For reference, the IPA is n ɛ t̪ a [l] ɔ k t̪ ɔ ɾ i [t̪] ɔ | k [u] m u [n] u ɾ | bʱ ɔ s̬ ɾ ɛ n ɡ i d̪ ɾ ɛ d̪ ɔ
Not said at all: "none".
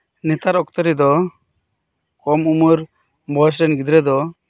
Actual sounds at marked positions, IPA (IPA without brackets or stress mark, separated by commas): ɾ, d̪, ɔ, m